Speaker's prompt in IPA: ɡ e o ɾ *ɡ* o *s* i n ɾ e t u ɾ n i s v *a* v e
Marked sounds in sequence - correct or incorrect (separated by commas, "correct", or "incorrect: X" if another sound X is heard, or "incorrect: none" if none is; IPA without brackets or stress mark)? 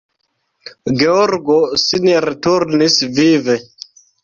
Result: correct, correct, incorrect: i